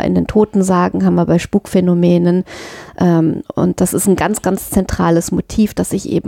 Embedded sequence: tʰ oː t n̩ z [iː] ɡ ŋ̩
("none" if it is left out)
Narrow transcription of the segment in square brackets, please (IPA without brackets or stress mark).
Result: aː